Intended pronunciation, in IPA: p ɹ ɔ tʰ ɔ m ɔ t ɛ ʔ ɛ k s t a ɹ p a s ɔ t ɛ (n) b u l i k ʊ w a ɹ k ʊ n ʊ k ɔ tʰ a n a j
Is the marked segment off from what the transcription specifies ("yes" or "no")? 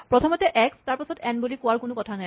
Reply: no